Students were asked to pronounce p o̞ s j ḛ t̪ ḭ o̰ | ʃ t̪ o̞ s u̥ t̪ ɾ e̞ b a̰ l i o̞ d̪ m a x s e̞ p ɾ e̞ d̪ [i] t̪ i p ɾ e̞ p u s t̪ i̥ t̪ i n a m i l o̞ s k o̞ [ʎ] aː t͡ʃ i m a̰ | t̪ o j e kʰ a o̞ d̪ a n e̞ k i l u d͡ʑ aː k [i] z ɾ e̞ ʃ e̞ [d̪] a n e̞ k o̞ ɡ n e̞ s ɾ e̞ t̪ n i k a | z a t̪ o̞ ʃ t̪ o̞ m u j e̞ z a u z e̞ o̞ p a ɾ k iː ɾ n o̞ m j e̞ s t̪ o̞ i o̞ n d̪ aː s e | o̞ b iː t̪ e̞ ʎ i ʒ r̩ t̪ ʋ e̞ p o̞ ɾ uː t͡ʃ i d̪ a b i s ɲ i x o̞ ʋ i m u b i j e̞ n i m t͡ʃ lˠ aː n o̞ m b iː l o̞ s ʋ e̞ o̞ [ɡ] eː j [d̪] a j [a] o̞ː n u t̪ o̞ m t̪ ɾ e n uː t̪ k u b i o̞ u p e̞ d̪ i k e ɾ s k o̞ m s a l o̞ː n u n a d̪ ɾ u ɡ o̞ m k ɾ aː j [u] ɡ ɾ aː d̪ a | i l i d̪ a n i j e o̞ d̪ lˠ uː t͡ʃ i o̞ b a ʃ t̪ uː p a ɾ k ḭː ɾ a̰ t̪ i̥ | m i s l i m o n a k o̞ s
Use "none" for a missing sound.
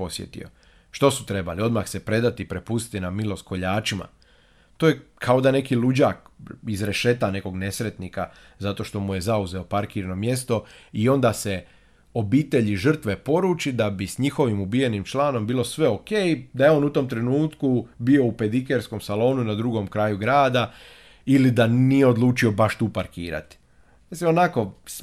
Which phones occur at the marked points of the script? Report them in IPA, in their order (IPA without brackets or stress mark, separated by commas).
a, ʎ, i, t̪, k, d̪, e, u